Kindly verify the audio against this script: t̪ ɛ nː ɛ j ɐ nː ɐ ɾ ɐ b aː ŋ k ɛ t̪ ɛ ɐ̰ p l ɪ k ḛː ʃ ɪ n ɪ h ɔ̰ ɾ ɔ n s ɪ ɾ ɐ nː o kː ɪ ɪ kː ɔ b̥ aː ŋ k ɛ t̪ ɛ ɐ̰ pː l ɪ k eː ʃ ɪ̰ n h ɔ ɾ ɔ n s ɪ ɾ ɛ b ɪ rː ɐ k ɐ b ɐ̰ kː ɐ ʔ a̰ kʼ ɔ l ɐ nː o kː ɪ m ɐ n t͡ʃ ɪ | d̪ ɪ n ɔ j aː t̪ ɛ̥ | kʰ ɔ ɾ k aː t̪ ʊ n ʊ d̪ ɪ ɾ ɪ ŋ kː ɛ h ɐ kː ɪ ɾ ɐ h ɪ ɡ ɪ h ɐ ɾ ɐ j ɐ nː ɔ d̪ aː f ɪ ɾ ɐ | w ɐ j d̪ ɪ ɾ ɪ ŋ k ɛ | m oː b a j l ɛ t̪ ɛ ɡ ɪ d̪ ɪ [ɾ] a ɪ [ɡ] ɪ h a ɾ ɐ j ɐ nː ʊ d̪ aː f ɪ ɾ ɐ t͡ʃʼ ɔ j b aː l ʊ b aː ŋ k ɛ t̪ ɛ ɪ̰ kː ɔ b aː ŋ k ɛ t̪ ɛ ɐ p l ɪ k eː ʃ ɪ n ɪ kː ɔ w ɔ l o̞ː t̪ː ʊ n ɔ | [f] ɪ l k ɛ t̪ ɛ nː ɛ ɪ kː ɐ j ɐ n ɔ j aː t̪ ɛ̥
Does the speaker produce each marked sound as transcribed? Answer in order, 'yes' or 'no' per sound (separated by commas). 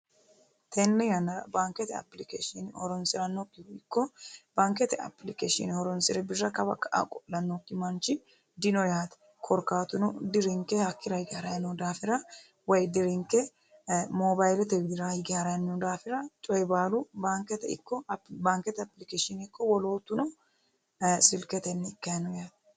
yes, yes, no